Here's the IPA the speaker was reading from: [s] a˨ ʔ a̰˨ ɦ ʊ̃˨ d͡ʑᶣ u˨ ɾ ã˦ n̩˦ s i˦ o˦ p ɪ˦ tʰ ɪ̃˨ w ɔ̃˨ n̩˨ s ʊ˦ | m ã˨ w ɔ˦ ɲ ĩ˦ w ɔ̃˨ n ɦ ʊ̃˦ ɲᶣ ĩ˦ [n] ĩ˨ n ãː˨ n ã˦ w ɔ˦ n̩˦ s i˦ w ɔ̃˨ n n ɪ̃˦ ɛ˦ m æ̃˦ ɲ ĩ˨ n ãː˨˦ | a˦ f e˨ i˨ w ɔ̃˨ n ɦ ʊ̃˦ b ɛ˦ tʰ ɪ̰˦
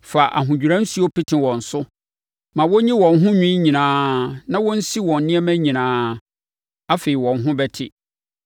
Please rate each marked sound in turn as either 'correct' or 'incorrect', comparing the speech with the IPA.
incorrect: f, incorrect: ɲ

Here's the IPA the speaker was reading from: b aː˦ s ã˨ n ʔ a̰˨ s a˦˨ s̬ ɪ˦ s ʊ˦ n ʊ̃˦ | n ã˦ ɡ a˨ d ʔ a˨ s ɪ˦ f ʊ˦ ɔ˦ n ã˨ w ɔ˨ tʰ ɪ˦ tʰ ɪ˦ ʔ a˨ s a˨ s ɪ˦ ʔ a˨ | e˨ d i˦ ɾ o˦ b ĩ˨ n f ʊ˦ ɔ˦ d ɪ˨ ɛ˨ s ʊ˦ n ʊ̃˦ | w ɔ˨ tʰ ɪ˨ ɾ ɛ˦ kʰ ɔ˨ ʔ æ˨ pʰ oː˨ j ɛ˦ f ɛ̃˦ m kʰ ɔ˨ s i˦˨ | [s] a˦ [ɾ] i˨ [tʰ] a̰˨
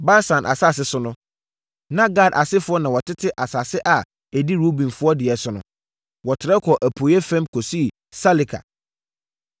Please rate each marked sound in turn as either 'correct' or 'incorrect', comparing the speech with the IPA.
correct, incorrect: l, incorrect: kʰ

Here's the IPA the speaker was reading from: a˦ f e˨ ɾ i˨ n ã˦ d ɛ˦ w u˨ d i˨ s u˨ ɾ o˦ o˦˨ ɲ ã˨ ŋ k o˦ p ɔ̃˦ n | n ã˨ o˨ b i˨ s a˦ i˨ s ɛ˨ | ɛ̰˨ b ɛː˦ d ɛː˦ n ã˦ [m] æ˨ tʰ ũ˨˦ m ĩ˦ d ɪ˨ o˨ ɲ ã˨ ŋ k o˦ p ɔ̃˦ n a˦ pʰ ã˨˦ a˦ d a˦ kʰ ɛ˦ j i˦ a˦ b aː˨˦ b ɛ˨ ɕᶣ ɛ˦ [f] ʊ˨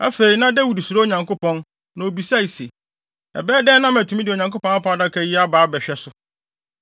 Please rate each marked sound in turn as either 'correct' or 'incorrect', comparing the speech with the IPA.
correct, incorrect: s

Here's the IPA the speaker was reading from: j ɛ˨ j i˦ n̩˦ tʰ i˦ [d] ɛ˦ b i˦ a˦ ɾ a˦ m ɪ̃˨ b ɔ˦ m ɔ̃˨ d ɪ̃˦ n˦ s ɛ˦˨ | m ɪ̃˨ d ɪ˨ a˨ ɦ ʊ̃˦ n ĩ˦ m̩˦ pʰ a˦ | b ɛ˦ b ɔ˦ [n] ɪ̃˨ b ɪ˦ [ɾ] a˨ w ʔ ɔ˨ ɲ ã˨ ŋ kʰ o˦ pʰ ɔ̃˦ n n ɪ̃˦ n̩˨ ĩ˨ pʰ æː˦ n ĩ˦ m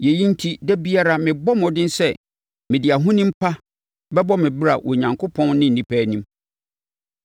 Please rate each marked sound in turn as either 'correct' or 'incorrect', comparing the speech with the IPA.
correct, incorrect: m, correct

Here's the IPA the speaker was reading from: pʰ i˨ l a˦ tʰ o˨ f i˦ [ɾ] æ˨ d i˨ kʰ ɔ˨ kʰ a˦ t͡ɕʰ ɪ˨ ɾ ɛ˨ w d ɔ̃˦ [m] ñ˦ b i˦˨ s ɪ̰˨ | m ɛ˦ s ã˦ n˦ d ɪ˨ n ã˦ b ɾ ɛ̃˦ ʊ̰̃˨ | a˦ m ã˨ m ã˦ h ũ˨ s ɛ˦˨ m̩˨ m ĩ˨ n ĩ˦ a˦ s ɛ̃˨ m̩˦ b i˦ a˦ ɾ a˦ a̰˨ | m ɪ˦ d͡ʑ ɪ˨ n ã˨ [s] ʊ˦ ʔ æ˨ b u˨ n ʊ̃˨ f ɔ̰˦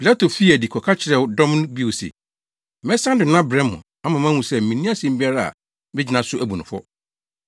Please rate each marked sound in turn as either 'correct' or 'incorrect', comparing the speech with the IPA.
incorrect: none, correct, correct

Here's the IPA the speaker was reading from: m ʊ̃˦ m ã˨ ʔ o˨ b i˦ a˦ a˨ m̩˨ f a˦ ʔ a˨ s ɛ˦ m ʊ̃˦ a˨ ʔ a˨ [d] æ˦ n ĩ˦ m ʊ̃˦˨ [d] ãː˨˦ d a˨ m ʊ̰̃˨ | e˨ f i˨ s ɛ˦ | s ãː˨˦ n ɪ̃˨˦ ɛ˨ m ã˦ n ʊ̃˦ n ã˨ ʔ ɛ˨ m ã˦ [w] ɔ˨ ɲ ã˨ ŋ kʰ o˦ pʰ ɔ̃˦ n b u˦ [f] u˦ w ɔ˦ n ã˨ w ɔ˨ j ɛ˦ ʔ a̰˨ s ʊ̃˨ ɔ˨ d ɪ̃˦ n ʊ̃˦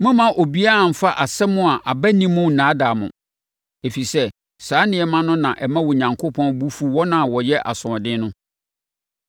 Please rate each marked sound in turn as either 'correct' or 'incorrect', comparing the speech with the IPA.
incorrect: b, incorrect: n, correct, correct

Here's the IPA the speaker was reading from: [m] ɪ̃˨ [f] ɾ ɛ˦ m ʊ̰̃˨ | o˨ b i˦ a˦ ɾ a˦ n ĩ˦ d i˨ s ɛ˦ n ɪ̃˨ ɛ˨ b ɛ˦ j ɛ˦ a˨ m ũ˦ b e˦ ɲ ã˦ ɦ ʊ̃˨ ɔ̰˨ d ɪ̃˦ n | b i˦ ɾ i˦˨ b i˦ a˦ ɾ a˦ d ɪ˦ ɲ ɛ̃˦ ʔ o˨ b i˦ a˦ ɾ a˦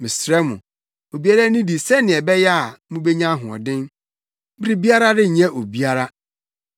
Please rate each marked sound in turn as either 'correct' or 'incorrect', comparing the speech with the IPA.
correct, incorrect: s

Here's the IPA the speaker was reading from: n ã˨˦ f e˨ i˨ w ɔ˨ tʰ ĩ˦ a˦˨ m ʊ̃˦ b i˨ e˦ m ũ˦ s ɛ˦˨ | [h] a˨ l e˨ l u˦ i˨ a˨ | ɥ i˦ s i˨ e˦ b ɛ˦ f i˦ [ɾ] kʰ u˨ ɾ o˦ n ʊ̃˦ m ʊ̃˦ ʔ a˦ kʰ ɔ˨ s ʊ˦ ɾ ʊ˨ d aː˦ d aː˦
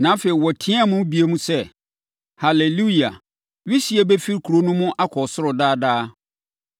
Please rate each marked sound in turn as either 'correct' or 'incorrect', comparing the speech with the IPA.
correct, correct

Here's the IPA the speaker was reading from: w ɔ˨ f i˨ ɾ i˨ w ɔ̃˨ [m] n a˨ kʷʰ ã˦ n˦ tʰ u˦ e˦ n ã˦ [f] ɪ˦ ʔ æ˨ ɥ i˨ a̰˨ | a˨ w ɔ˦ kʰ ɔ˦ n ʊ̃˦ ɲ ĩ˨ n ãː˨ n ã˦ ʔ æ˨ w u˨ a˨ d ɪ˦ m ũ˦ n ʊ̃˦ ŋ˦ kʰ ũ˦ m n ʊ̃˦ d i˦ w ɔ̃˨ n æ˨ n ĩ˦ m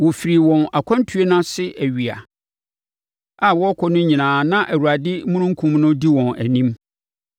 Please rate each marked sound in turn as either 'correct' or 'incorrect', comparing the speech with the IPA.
incorrect: none, incorrect: s

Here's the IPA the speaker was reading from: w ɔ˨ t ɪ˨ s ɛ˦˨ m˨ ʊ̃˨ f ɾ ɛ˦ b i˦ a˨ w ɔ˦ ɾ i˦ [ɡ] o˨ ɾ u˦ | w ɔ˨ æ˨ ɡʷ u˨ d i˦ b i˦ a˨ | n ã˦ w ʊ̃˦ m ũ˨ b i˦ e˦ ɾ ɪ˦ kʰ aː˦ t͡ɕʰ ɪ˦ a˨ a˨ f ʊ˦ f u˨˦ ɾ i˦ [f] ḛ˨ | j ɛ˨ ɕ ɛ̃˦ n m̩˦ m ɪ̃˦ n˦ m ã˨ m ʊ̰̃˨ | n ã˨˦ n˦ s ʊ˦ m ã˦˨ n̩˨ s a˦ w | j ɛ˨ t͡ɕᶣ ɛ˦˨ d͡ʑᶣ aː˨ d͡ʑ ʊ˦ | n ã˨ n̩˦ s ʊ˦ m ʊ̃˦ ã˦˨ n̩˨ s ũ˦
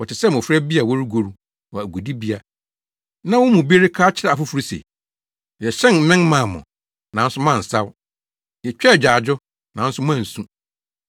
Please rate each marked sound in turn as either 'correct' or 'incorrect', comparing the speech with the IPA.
correct, incorrect: s

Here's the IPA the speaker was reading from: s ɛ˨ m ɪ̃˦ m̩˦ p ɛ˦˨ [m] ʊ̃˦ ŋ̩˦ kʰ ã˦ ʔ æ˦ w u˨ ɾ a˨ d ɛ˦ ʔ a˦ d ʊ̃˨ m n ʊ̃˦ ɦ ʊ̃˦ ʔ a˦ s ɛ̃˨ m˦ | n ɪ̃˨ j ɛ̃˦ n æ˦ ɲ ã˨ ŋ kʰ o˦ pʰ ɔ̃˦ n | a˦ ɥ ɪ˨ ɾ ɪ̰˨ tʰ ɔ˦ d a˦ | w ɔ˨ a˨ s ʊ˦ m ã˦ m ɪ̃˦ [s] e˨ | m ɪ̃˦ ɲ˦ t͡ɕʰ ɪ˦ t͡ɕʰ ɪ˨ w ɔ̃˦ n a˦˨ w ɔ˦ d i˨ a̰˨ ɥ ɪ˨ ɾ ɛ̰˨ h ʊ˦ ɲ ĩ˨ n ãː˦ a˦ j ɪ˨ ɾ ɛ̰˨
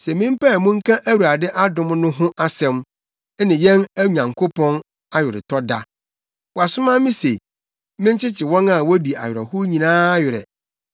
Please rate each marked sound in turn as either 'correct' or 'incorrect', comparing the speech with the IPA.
correct, correct

